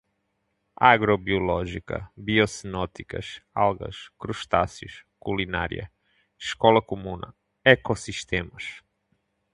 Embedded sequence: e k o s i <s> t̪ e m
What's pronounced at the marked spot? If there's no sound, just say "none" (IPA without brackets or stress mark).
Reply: ʃ